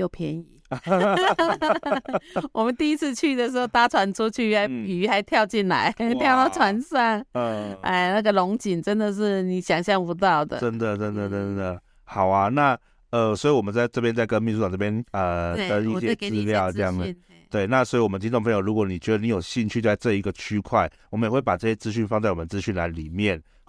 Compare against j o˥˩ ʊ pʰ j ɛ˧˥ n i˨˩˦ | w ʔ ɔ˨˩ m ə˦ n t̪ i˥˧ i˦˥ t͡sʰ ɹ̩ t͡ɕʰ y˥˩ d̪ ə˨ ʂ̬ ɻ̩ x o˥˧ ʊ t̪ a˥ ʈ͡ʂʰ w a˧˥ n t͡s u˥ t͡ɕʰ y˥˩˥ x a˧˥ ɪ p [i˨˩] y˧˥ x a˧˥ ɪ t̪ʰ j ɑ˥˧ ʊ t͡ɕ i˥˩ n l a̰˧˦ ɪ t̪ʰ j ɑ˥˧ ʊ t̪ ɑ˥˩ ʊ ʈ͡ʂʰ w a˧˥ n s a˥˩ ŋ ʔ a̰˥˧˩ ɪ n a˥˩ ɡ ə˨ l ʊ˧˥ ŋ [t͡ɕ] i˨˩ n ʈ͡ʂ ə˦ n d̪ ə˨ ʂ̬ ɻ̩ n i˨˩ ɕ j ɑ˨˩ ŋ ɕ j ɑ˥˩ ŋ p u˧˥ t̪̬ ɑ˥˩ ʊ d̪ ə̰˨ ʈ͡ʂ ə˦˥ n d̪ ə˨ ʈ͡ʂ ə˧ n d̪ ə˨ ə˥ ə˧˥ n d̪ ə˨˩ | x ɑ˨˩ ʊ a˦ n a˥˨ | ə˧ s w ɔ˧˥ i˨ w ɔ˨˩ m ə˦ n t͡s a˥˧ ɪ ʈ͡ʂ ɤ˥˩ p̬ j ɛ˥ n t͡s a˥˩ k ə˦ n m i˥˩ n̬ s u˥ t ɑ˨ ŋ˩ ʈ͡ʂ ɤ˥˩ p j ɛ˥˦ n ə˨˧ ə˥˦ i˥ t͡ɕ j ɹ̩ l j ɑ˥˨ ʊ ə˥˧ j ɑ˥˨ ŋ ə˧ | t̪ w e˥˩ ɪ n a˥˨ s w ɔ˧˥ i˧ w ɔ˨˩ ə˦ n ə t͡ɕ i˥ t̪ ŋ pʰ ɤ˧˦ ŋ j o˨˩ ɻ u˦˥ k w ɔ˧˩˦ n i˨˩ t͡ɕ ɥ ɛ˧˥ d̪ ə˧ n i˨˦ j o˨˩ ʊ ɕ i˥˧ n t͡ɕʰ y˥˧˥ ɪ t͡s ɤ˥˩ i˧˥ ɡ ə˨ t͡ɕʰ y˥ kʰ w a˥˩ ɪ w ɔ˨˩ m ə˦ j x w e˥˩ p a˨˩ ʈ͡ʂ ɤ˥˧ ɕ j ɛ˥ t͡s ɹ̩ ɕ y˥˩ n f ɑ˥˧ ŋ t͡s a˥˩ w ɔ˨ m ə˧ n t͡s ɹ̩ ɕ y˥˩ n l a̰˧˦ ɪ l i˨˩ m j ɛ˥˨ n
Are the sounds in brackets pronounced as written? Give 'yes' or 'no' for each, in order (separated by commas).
yes, yes